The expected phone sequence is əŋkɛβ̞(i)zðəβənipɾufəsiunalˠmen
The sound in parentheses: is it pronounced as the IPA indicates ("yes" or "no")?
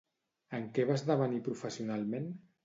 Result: no